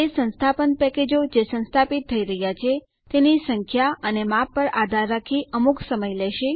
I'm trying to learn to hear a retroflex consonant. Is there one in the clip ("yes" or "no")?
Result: no